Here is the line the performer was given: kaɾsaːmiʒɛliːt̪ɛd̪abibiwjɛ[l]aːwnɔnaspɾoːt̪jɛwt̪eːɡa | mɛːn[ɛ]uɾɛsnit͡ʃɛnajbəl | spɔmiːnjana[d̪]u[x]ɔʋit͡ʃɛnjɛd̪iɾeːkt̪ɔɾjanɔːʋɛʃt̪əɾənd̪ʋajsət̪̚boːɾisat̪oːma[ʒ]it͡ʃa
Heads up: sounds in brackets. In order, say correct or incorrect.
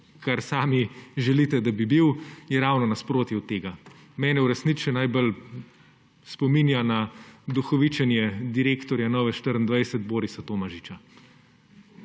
incorrect: ɾ, correct, correct, correct, correct

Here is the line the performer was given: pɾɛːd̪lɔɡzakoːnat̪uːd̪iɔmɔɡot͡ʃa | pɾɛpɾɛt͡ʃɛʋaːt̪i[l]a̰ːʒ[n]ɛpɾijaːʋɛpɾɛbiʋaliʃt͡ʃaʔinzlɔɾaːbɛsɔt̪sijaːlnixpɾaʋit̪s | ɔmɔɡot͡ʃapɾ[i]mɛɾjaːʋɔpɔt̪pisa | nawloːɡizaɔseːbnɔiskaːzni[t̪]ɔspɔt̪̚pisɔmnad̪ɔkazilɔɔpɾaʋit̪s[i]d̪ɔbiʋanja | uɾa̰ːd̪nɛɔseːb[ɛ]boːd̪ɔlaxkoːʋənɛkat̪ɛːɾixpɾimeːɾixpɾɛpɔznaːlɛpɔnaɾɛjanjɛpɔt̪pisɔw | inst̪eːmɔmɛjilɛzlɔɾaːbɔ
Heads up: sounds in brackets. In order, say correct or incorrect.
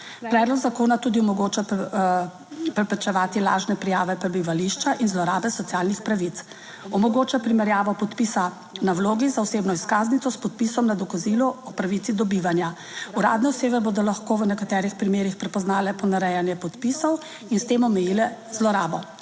correct, correct, correct, correct, correct, correct

